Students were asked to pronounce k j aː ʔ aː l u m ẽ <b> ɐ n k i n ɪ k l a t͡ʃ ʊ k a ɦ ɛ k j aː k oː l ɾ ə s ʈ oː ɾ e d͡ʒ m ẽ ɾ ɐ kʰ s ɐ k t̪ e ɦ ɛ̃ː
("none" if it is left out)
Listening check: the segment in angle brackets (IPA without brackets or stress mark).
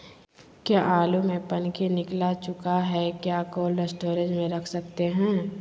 p